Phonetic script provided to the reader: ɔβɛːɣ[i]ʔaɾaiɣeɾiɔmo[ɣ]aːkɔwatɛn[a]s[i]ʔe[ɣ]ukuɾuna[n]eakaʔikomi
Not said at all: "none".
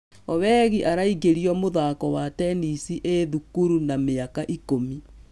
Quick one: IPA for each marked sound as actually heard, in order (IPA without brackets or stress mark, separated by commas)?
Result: i, ð, i, i, ð, m